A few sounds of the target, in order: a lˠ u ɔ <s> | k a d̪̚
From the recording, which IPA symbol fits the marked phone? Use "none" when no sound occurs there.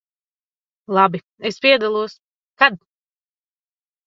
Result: s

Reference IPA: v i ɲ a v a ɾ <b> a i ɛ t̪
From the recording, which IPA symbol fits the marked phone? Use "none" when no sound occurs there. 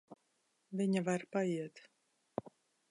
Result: p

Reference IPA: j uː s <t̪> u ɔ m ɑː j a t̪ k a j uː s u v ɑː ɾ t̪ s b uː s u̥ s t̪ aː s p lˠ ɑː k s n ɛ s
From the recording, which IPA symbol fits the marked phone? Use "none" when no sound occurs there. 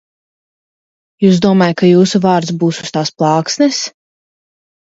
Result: d̪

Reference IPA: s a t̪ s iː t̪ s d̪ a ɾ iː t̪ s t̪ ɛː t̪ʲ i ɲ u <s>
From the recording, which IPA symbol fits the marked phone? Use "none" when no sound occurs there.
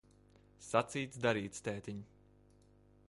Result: none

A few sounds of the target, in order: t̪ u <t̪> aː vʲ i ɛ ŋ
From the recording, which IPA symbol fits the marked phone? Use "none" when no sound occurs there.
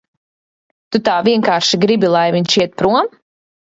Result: t̪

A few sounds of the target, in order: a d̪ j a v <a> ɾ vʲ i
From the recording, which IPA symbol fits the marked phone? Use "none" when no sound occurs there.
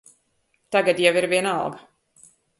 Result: i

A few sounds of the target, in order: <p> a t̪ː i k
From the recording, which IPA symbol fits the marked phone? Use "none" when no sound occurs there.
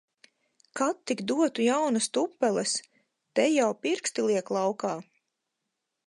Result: k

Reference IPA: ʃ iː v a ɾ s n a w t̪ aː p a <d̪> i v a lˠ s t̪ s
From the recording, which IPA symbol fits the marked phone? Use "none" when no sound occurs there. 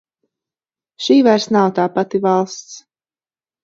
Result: t̪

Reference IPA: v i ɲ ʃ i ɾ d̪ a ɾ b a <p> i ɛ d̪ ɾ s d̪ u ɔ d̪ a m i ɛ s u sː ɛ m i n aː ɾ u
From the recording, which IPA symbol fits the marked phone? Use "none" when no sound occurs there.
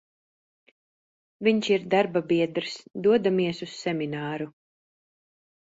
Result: b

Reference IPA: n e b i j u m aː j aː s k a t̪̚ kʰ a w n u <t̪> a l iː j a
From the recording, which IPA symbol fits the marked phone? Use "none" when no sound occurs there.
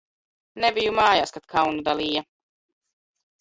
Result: d̪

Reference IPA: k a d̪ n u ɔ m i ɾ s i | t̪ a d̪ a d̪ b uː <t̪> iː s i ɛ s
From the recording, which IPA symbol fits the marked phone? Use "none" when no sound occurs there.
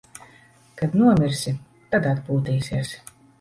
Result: t̪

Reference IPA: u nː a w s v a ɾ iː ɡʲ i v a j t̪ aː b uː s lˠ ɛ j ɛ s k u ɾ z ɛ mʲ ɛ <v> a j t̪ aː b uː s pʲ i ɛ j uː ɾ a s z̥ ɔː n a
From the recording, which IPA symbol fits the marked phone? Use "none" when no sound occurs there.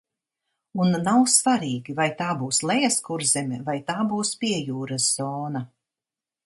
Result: v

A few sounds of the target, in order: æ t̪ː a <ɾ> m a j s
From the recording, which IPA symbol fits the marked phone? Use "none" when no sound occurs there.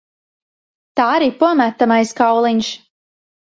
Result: none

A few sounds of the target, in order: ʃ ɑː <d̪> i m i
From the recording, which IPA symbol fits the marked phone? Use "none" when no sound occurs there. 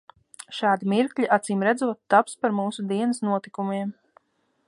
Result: d̪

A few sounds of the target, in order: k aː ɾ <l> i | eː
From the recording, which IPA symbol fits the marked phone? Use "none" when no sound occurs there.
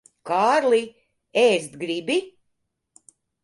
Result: l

